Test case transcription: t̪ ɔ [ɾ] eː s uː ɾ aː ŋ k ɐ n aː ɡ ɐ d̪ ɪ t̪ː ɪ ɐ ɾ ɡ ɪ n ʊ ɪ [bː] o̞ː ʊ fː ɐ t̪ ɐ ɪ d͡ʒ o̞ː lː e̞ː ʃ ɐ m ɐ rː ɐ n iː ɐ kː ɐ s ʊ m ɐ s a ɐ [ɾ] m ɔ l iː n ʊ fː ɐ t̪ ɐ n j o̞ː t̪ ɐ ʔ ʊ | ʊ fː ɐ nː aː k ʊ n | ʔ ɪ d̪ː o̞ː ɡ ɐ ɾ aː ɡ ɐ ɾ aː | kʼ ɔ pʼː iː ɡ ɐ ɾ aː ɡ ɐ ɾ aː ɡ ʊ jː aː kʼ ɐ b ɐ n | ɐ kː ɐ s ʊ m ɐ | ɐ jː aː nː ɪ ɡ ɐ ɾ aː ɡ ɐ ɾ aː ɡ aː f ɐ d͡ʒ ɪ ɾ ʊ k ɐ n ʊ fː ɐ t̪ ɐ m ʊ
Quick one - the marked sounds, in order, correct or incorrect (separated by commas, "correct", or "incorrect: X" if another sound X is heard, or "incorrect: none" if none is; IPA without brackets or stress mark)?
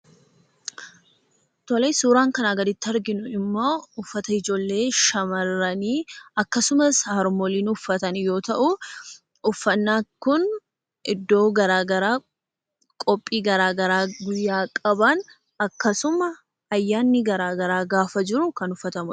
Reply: incorrect: l, incorrect: mː, correct